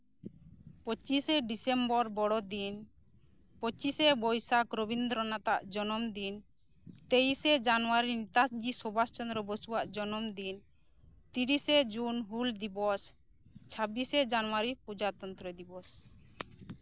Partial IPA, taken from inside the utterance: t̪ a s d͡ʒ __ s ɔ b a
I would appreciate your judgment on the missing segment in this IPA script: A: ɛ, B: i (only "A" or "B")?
B